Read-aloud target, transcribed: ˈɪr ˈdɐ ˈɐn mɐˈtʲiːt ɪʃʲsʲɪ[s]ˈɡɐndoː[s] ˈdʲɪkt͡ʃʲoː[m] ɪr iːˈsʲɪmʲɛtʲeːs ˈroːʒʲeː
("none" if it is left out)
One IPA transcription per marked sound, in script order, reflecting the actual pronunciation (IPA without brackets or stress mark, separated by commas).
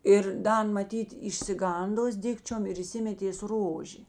none, s, m